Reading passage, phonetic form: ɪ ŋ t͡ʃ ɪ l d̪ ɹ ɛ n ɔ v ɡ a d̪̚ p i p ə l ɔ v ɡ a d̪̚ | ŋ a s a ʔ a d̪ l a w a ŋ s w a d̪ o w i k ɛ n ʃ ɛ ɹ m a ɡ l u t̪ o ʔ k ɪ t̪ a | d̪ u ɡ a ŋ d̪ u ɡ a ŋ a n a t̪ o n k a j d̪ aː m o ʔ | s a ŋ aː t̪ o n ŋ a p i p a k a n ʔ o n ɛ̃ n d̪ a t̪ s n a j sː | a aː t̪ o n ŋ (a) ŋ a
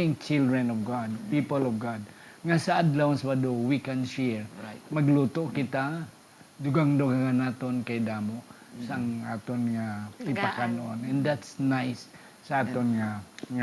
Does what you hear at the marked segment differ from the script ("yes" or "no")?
no